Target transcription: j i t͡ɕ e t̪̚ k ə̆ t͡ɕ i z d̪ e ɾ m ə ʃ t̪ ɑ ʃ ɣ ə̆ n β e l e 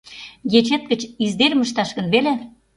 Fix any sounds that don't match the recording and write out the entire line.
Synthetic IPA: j e t͡ɕ e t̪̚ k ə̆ t͡ɕ i z d̪ e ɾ m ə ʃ t̪ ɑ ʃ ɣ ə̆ n β e l e